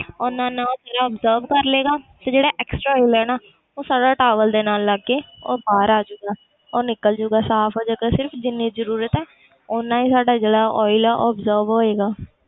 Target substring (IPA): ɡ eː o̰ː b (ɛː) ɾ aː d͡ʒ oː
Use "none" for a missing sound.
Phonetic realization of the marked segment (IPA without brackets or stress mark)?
aː